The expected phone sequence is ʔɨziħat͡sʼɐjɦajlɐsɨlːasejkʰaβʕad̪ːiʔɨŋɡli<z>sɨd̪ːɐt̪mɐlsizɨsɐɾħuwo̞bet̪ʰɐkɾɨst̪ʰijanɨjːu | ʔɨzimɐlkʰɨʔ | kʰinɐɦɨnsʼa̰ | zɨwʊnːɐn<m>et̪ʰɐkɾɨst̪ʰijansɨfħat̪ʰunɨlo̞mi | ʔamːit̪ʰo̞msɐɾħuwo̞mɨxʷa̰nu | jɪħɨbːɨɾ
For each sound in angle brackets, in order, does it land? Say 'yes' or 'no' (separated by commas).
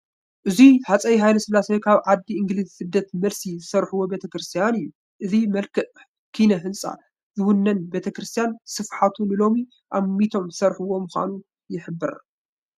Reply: yes, no